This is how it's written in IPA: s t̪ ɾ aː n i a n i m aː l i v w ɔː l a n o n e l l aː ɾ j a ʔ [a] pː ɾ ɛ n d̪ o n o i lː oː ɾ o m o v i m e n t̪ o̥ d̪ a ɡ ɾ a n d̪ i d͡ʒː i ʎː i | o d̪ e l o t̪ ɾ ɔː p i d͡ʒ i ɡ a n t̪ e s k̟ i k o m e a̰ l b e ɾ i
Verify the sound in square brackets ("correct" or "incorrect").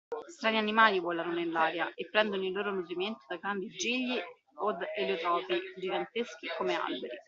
incorrect